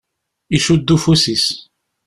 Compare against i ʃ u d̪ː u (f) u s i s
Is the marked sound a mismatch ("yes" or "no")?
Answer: no